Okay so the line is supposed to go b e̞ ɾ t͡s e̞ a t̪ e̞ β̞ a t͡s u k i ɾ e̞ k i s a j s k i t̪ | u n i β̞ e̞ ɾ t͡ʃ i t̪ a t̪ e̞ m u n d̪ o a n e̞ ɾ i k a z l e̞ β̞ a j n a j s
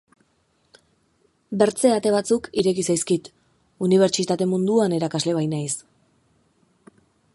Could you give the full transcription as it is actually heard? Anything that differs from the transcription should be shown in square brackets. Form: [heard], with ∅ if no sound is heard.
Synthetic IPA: b e̞ ɾ t͡s e̞ a t̪ e̞ β̞ a t͡s u k i ɾ e̞ k i s a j s k i t̪ | u n i β̞ e̞ ɾ t͡ʃ i t̪ a t̪ e̞ m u n d̪ [u] a n e̞ ɾ [a] k a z l e̞ β̞ a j n a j s